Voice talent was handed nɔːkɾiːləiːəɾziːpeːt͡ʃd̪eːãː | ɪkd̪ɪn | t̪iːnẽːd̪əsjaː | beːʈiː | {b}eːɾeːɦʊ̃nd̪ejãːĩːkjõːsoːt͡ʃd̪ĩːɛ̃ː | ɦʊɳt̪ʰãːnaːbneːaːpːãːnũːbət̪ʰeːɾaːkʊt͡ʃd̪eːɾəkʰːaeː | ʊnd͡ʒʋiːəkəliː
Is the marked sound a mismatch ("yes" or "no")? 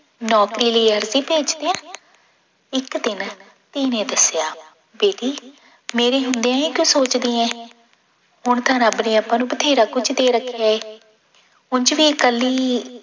yes